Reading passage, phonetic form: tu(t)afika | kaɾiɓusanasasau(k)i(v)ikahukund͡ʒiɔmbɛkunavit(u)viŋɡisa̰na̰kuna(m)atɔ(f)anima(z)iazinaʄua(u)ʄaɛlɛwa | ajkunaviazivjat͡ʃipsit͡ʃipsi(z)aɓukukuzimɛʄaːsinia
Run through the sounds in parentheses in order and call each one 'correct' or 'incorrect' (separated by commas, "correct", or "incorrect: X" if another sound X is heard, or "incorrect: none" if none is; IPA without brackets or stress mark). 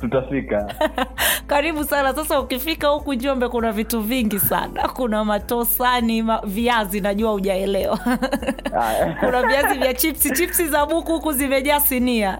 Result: correct, correct, incorrect: f, correct, correct, incorrect: s, incorrect: v, correct, correct